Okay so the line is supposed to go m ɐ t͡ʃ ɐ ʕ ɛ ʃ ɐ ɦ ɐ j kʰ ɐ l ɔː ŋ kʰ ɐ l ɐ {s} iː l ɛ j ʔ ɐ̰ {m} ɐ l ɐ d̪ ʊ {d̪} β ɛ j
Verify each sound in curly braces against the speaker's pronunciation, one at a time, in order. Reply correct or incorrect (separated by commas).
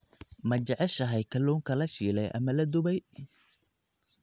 incorrect, correct, incorrect